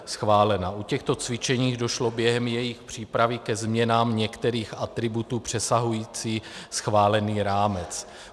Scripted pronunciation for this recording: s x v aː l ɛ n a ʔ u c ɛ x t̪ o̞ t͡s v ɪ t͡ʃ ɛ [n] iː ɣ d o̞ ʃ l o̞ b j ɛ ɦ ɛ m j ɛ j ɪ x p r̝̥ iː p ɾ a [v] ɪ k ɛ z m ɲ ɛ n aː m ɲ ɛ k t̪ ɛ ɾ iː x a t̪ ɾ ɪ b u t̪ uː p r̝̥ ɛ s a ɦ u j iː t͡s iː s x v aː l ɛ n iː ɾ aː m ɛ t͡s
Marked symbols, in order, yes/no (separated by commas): no, yes